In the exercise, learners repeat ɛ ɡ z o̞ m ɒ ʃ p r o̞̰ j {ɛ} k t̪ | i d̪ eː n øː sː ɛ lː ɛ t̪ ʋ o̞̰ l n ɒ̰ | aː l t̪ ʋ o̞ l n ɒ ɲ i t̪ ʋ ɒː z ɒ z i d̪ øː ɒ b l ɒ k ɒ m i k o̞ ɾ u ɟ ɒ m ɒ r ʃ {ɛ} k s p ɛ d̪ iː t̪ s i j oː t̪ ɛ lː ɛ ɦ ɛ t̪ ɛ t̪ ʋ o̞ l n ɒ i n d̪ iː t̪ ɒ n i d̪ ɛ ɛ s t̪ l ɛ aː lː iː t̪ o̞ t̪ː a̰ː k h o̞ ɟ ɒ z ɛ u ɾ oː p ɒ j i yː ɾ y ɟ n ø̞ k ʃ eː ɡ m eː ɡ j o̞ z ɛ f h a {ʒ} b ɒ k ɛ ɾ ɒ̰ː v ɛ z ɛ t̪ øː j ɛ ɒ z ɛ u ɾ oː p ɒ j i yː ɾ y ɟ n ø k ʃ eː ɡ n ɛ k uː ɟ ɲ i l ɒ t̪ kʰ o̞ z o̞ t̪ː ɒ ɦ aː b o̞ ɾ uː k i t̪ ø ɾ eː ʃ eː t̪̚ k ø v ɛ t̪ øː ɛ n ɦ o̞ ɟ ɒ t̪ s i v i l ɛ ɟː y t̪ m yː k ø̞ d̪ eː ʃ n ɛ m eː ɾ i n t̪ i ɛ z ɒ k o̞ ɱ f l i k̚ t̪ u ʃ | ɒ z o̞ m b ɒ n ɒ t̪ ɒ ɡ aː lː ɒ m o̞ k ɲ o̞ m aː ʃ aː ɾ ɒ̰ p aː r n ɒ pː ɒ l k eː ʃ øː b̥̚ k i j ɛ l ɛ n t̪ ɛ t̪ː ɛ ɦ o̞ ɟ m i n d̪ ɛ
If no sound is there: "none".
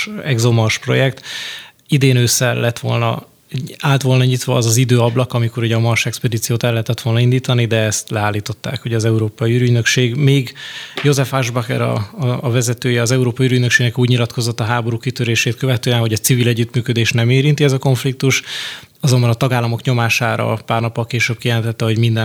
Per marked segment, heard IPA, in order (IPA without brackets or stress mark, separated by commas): ɛ, ɛ, ʒ